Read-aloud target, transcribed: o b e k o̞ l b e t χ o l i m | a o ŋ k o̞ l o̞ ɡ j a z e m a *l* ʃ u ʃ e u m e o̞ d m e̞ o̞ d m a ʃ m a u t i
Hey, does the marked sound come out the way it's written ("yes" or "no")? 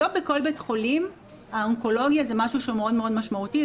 no